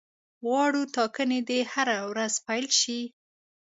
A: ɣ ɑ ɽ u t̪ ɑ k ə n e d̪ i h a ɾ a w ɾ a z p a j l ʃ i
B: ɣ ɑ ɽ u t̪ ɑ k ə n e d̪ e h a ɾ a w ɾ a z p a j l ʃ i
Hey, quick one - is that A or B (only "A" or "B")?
B